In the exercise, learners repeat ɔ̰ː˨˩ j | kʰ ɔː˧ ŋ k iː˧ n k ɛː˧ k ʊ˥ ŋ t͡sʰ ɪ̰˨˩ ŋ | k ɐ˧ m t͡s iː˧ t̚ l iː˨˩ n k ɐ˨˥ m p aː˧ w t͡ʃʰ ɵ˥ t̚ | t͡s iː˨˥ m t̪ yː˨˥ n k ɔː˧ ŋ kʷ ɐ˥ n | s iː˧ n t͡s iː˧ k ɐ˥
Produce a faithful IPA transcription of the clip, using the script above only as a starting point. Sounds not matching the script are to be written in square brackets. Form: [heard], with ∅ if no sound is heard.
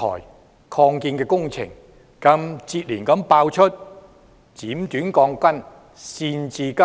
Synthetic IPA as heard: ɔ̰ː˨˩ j | kʰ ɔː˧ ŋ k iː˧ n k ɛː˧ k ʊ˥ ŋ t͡sʰ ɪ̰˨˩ ŋ | k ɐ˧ m t͡s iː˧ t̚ l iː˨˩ n k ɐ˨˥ m p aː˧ w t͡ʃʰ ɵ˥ t̚ | t͡s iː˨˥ m t̪ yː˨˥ n k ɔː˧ ŋ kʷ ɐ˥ n | s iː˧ n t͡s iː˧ k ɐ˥